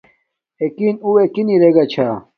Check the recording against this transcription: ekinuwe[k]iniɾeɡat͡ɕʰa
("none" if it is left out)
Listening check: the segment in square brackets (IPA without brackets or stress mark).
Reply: k